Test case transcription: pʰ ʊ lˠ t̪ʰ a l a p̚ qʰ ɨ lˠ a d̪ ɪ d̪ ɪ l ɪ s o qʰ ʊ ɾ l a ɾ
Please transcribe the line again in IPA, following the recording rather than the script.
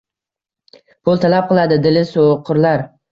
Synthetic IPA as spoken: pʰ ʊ lˠ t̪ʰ a l a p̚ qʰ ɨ lˠ a d̪ ɪ d̪ ɪ l ɪ s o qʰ ʊ ɾ l a ɾ